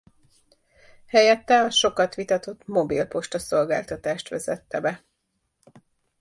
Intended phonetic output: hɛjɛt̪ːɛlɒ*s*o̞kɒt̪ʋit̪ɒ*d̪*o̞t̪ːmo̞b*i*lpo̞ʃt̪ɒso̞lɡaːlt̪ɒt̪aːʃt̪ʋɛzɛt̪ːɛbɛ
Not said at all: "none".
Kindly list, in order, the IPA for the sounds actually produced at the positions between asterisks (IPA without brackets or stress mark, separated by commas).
ʃ, t̪, i